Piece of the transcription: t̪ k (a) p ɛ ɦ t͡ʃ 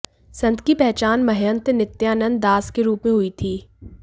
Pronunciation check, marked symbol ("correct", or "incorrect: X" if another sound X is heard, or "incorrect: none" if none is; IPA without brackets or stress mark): incorrect: i